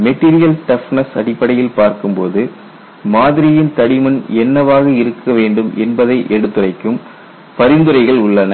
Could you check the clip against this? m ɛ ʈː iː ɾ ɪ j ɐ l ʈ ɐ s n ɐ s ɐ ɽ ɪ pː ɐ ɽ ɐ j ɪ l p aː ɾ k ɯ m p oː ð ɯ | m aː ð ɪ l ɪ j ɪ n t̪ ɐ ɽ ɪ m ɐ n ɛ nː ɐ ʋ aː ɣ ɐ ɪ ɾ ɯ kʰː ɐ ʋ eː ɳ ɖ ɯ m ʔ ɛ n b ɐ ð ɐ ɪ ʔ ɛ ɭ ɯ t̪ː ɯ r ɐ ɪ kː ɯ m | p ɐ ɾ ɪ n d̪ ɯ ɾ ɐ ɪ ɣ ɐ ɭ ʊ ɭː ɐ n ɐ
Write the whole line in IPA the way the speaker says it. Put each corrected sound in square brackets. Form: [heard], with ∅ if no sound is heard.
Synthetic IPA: m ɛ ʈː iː ɾ ɪ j ɐ l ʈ ɐ [f] n ɐ s ɐ ɽ ɪ pː ɐ ɽ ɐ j ɪ l p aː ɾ k ɯ m p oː ð ɯ | m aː ð ɪ [ɾ] ɪ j ɪ n t̪ ɐ ɽ ɪ m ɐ n ɛ nː ɐ ʋ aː ɣ ɐ ɪ ɾ ɯ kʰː ɐ ʋ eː ɳ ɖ ɯ m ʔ ɛ n b ɐ ð ɐ ɪ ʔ ɛ [ɽ] ɯ t̪ː ɯ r ɐ ɪ kː ɯ m | p ɐ ɾ ɪ n d̪ ɯ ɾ ɐ ɪ ɣ ɐ ɭ ʊ ɭː ɐ n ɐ